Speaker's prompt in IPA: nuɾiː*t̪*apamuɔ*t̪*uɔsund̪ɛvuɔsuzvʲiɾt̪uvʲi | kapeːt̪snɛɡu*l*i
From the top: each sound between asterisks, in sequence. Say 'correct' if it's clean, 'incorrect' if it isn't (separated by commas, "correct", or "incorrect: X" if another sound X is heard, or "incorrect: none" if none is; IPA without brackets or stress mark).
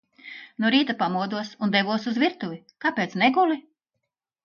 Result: correct, incorrect: d̪, correct